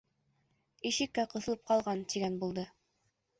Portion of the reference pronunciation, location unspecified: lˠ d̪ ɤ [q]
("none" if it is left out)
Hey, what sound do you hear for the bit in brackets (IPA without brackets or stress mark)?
none